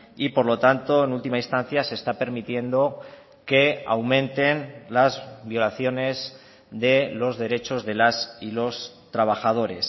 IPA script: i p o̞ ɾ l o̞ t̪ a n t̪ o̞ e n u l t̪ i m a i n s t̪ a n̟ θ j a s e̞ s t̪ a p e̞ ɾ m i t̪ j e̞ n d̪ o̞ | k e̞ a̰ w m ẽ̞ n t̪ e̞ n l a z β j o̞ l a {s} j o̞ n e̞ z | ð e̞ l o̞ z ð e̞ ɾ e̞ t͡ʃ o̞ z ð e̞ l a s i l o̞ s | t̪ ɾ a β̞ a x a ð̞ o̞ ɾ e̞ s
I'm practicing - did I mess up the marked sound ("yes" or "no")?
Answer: yes